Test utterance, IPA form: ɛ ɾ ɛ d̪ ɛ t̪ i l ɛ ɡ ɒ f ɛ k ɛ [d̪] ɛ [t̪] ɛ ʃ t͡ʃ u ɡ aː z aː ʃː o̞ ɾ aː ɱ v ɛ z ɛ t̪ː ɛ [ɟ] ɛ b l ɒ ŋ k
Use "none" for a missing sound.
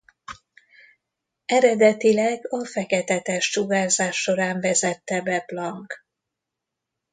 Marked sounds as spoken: t̪, t̪, b

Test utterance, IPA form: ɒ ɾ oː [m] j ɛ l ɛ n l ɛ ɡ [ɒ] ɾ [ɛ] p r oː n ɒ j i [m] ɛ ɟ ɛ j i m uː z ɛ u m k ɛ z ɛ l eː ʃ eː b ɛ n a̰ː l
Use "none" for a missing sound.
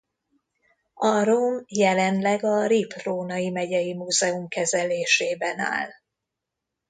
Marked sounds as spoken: m, ɒ, i, m

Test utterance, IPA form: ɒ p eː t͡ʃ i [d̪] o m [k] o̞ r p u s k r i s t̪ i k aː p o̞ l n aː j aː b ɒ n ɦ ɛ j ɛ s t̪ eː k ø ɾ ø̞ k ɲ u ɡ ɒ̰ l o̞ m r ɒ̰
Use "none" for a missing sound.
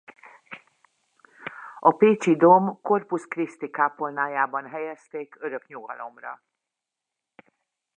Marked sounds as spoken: d̪, k

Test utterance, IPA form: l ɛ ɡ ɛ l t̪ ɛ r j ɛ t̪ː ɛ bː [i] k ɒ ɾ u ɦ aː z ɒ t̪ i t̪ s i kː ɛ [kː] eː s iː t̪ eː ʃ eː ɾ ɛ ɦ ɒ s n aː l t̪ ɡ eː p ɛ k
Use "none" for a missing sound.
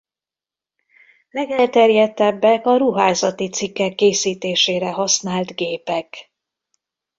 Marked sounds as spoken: ɛ, kː

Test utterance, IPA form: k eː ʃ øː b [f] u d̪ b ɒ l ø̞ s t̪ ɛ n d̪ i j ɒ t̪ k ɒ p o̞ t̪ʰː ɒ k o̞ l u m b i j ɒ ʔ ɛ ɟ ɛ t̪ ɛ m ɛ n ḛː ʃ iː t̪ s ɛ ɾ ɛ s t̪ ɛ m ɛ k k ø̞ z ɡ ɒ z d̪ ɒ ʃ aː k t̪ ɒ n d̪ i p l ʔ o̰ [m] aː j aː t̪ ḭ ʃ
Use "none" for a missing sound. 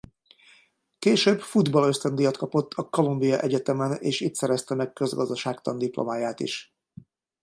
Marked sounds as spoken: f, m

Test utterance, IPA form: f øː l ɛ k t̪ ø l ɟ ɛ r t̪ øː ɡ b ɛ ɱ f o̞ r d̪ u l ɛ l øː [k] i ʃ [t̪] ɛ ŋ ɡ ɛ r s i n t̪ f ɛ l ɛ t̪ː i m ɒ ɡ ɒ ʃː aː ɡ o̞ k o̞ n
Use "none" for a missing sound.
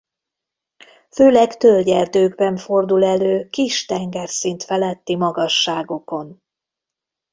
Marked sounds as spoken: k, t̪

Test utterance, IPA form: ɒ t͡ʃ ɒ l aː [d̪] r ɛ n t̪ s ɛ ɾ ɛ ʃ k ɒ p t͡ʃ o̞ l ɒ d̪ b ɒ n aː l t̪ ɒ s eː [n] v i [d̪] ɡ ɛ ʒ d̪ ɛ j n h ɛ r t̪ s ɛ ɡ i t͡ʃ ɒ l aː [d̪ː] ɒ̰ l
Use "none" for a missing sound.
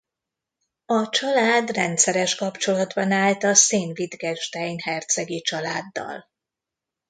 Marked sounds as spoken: d̪, n, d̪, d̪ː

